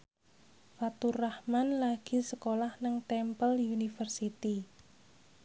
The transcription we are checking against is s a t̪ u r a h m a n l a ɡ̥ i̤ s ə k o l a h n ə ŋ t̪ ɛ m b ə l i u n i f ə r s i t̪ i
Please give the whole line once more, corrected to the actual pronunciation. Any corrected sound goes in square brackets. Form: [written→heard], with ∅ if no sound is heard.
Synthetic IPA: [s→f] a t̪ u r a h m a n l a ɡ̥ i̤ s ə k o l a h n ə ŋ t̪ ɛ m [b→p] ə l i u n i f ə r s i t̪ i